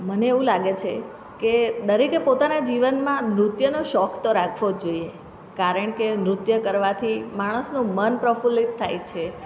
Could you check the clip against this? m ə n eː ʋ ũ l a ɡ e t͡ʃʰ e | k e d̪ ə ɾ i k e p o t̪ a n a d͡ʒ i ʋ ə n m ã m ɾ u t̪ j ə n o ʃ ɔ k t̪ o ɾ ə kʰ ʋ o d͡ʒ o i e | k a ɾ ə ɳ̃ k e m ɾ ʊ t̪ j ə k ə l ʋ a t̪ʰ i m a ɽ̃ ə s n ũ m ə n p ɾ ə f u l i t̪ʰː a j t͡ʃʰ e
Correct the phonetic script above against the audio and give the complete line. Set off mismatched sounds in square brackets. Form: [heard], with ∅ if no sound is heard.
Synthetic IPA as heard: m ə n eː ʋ ũ l a ɡ e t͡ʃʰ e | k e d̪ ə ɾ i k e p o t̪ a n a d͡ʒ i ʋ ə n m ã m ɾ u t̪ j ə n o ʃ ɔ k t̪ o ɾ [a] kʰ ʋ o d͡ʒ o i e | k a ɾ ə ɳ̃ k e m ɾ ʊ t̪ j ə k ə [ɾ] ʋ a t̪ʰ i m a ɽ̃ ə s n ũ m ə n p ɾ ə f u l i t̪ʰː a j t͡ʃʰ e